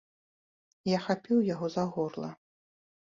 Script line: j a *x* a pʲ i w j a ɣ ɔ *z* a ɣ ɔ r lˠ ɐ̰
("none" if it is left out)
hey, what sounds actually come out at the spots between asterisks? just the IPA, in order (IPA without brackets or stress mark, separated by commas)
x, z